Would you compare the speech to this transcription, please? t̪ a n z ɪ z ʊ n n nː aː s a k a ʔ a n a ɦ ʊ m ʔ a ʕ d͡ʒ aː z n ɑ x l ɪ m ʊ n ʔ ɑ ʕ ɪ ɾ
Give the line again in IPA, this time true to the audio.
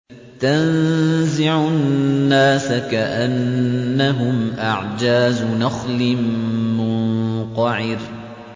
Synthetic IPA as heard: t̪ a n z ɪ ʕ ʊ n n nː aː s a k a ʔ a nː a ɦ ʊ m ʔ a ʕ d͡ʒ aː z n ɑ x l ɪ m ʊ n q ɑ ʕ ɪ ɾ